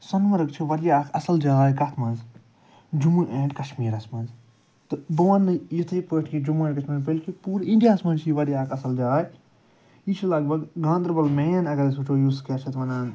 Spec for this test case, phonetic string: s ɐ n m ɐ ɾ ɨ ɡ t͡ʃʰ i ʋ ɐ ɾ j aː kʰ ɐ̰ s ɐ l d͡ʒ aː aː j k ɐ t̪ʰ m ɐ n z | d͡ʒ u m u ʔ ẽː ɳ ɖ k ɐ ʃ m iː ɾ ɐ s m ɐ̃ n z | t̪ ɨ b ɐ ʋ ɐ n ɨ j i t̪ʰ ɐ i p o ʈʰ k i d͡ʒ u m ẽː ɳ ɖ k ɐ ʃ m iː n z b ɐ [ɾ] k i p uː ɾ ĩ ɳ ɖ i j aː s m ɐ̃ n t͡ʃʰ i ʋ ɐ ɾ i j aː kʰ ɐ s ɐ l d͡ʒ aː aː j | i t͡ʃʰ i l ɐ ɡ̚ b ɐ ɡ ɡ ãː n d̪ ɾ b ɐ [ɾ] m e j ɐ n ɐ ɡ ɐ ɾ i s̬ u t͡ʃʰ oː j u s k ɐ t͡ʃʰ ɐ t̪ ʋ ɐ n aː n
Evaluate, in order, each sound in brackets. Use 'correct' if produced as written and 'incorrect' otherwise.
incorrect: l, incorrect: l

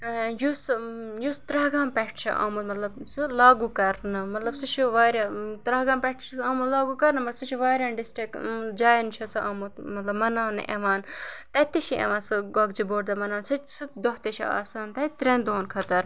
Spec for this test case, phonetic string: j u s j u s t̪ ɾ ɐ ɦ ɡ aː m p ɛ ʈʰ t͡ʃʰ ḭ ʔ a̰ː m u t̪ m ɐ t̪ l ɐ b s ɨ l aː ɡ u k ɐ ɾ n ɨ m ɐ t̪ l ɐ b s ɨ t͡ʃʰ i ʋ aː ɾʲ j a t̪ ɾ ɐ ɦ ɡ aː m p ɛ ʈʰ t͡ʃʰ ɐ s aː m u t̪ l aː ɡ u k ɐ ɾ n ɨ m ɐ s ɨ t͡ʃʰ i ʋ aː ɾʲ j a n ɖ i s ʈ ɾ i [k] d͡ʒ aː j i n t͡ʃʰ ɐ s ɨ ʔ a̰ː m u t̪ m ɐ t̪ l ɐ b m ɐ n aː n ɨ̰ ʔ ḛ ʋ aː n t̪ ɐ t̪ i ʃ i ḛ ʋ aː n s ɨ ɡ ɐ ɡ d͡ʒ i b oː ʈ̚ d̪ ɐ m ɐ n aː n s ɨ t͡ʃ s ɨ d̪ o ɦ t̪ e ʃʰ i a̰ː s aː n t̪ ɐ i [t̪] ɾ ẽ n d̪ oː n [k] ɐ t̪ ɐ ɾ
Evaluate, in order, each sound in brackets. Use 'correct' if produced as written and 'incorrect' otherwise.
correct, correct, incorrect: kʰ

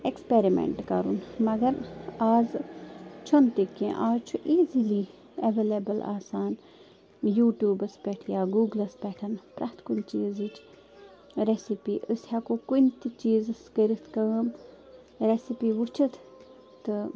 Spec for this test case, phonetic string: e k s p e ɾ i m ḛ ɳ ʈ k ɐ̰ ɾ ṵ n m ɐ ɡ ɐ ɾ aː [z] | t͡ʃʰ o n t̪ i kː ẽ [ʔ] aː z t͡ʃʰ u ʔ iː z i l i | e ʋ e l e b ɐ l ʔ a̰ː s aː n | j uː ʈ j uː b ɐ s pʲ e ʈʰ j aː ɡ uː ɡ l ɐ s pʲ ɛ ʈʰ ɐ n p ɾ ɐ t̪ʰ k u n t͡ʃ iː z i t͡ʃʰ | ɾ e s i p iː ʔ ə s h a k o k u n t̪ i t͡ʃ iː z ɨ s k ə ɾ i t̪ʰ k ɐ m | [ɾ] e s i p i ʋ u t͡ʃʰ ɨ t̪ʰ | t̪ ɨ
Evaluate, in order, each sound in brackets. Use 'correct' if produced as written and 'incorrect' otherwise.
correct, correct, correct

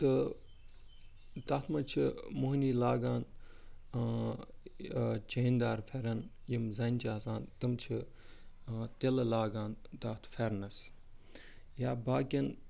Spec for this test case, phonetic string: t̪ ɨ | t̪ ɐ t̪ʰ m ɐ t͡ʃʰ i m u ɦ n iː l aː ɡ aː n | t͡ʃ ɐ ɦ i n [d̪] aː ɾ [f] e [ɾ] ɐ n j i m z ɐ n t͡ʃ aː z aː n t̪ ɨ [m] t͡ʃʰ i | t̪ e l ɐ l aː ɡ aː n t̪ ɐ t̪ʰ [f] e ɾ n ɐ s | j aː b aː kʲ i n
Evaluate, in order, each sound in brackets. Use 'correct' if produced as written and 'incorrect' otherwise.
correct, correct, correct, correct, correct

